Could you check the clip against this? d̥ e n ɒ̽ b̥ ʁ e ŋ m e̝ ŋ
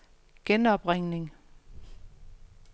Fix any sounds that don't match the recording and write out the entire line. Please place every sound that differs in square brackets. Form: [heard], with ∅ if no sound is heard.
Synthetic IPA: [ɡ̥] e n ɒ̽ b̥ ʁ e ŋ [n] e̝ ŋ

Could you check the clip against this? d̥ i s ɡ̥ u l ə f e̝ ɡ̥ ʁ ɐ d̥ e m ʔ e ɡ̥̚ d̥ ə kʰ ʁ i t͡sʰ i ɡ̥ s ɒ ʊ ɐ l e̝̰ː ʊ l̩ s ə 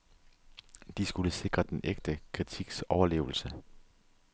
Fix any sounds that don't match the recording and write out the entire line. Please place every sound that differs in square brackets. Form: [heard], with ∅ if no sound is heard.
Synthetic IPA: d̥ i s ɡ̥ u l ə [s] e̝ ɡ̥ ʁ ɐ d̥ e [n] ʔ e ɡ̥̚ d̥ ə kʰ ʁ i t͡sʰ i ɡ̥ s ɒ ʊ ɐ l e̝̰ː ʊ l̩ s ə

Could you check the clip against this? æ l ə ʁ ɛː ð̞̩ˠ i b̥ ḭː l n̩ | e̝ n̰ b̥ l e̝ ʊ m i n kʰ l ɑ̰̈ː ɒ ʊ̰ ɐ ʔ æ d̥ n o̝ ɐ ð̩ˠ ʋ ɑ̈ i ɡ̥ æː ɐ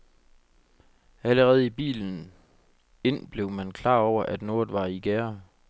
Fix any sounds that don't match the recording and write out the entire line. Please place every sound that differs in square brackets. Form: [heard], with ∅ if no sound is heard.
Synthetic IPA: æ l ə ʁ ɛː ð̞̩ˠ i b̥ ḭː l n̩ | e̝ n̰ b̥ l e̝ ʊ m [æ] n kʰ l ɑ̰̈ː ɒ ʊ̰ ɐ ʔ æ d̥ n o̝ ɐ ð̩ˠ ʋ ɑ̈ i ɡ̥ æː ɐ

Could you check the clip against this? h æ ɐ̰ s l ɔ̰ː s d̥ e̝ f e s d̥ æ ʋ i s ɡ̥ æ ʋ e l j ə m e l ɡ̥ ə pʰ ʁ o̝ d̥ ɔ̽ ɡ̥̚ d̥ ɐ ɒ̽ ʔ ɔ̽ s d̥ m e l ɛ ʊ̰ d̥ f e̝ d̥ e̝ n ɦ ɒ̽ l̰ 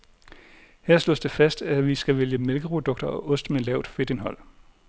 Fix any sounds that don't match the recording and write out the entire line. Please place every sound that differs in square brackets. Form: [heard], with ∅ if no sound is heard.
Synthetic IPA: h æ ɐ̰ s l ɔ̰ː s d̥ e̝ f [æ] s d̥ æ ʋ i s ɡ̥ æ ʋ e l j ə m e l ɡ̥ ə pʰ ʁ o̝ d̥ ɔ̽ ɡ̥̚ d̥ ɐ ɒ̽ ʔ ɔ̽ s d̥ m e l ɛ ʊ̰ d̥ f e̝ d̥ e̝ n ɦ ɒ̽ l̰

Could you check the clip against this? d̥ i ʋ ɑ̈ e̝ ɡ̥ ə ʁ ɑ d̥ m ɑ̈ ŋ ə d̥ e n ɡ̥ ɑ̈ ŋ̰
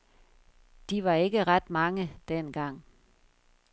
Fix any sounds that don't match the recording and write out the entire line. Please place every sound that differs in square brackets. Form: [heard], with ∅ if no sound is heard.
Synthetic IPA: d̥ i ʋ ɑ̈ e̝ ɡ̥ ə ʁ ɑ d̥ m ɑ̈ ŋ ə d̥ e n ɡ̥ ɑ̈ ŋ̰

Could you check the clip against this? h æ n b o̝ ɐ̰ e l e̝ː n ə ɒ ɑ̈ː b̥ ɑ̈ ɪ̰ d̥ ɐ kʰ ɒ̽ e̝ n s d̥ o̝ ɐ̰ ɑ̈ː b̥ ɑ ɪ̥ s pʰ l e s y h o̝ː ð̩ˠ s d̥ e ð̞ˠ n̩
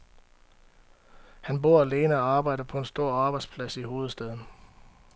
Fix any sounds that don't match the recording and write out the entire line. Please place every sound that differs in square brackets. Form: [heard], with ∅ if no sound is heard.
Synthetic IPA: h æ n b o̝ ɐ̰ [æ] l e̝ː n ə ɒ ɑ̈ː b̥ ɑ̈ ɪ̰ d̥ ɐ [pʰ] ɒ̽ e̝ n s d̥ o̝ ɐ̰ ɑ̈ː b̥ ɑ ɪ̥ s pʰ l [æ] s [i] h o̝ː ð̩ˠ s d̥ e ð̞ˠ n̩

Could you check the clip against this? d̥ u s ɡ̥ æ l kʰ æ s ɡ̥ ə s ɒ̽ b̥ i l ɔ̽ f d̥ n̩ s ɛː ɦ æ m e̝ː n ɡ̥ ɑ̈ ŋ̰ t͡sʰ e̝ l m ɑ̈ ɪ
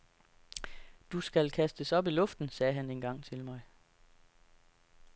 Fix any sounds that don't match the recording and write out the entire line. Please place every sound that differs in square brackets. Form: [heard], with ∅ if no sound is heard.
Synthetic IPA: d̥ u s ɡ̥ æ l kʰ æ s [d̥] ə s ɒ̽ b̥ i l ɔ̽ f d̥ n̩ s ɛː ɦ æ [n] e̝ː n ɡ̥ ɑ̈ ŋ̰ t͡sʰ e̝ l m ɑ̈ ɪ

